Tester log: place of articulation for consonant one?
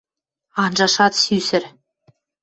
alveolar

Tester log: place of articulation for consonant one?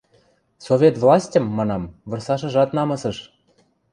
alveolar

